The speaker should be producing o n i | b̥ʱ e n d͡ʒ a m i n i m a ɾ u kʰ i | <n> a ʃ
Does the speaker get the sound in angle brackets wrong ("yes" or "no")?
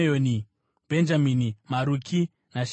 no